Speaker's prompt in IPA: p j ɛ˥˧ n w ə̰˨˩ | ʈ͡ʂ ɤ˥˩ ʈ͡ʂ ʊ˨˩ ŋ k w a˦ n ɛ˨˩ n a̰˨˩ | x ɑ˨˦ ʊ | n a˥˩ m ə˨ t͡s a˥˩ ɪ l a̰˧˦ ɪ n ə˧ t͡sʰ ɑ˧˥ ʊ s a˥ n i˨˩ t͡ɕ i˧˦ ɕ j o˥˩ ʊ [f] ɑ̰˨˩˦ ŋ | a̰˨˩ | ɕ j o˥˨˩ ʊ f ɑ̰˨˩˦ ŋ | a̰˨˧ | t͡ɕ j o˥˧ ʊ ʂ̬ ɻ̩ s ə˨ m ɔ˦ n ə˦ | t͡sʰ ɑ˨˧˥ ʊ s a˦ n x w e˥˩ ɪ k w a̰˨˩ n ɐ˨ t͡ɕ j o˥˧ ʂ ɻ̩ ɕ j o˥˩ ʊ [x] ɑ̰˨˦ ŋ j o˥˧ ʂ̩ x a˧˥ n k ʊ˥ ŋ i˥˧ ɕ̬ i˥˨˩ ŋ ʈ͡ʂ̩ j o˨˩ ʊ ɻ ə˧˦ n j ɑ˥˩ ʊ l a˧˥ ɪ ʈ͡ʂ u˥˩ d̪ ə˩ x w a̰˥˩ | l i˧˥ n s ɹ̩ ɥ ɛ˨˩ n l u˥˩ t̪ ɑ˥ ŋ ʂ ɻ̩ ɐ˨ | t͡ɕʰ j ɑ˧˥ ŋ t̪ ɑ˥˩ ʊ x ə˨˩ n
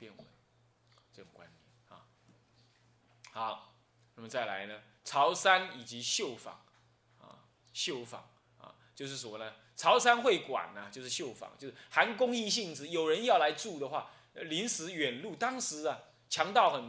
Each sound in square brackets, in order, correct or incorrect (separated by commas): correct, incorrect